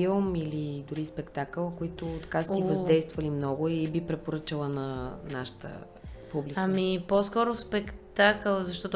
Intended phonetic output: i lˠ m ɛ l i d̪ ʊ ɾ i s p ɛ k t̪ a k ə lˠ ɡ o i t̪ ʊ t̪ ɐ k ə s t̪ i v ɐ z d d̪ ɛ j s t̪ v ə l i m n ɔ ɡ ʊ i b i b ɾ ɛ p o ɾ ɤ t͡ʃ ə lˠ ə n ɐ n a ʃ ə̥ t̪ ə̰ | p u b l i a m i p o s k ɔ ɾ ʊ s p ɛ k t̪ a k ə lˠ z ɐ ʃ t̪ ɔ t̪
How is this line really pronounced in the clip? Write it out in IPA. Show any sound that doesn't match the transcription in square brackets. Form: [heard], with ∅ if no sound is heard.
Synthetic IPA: i lˠ m [i] l i d̪ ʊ ɾ i s p ɛ k t̪ a k ə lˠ [k] o i t̪ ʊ t̪ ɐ k [a] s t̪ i v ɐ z d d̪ ɛ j s t̪ v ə l i m n ɔ ɡ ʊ i b i [p] ɾ ɛ p o ɾ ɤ t͡ʃ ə lˠ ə n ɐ n a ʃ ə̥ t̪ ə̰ | p u b l i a m i p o s k ɔ ɾ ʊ s p ɛ k t̪ a k ə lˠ z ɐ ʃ t̪ ɔ t̪